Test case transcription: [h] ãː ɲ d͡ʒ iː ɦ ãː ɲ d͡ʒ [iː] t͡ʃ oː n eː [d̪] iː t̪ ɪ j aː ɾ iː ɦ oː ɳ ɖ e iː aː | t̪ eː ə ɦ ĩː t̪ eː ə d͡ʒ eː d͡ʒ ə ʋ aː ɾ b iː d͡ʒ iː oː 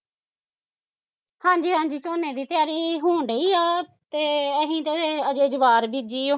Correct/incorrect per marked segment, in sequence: correct, correct, correct

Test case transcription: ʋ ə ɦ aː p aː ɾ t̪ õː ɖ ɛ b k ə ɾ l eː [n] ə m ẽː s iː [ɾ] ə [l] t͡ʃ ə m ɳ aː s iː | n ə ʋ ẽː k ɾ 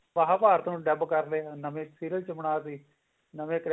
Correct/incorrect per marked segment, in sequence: correct, correct, correct

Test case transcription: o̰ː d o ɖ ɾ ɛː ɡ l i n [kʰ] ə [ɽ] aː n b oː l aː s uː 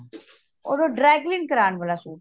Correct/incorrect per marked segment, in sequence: incorrect: k, incorrect: ɾ

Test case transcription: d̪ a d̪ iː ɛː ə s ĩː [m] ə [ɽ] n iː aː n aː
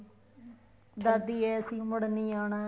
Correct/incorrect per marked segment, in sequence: correct, correct

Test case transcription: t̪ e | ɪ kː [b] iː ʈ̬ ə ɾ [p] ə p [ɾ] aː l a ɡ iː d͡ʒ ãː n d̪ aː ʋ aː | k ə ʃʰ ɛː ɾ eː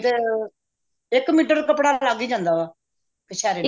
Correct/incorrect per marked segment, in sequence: incorrect: m, incorrect: k, incorrect: ɽ

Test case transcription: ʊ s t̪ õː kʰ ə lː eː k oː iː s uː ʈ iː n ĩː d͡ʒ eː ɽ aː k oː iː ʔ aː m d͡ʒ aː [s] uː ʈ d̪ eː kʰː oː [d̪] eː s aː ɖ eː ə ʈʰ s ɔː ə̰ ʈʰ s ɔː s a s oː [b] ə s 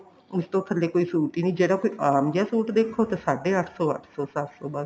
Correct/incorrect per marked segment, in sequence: correct, incorrect: t̪, correct

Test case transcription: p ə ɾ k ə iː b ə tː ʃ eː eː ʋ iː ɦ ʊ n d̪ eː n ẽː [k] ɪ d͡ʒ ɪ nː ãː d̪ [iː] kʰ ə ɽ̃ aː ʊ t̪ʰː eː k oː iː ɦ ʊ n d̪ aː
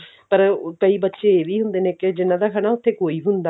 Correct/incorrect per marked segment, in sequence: correct, incorrect: aː

